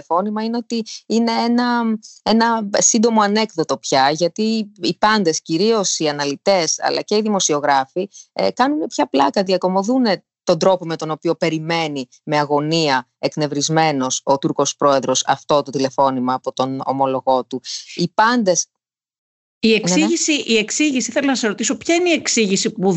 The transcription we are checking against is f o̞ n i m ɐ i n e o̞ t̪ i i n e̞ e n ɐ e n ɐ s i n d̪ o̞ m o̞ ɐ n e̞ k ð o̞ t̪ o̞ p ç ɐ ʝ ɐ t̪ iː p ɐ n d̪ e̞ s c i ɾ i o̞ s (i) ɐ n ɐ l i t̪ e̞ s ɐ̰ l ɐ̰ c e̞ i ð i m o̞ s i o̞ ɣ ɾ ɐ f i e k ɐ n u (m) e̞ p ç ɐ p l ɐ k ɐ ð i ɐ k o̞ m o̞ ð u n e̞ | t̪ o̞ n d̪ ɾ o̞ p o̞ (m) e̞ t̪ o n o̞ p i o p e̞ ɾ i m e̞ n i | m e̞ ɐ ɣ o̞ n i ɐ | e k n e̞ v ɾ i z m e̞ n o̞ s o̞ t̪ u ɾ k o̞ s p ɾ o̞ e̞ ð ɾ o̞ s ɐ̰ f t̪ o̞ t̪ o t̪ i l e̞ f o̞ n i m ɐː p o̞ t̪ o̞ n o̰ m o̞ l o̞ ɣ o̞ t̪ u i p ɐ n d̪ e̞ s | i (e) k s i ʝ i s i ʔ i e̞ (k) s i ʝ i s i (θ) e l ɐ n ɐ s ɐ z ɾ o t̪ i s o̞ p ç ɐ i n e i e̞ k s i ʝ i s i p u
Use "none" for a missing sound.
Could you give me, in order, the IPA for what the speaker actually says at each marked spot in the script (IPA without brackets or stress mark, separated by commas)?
i, n, m, e, k, θ